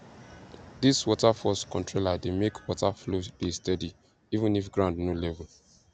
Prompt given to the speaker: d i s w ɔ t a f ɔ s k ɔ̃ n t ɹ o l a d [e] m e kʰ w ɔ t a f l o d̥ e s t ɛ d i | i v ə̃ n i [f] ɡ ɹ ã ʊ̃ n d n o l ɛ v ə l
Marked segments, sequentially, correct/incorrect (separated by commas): correct, correct